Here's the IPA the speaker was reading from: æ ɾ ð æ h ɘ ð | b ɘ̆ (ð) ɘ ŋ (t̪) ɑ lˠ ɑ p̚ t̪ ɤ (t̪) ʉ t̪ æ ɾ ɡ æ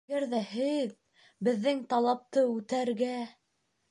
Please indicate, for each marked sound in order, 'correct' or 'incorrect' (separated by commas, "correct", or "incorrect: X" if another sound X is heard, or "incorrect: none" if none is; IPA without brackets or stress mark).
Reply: incorrect: ðː, correct, incorrect: none